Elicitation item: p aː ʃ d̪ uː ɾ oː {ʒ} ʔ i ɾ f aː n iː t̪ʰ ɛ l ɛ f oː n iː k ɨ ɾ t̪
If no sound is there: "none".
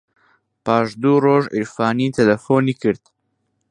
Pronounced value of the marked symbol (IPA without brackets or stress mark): ʒ